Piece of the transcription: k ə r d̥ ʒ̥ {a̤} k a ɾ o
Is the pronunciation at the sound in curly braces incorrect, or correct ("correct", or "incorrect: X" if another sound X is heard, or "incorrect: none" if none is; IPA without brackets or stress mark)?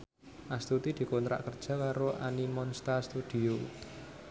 correct